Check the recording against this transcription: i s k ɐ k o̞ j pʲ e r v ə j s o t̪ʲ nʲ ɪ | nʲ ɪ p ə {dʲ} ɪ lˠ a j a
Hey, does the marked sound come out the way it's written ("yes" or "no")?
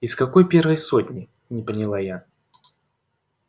no